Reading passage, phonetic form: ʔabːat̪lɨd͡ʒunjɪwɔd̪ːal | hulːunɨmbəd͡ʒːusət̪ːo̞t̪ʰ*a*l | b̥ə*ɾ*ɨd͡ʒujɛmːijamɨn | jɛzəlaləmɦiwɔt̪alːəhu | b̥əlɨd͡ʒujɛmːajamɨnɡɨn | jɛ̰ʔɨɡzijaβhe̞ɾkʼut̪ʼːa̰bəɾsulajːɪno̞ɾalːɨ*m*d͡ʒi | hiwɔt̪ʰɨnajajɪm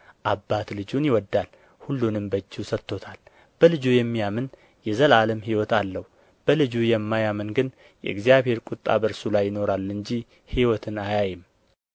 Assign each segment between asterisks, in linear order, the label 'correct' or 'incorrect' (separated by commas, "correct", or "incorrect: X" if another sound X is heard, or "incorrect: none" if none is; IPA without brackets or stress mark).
correct, incorrect: l, incorrect: ɲ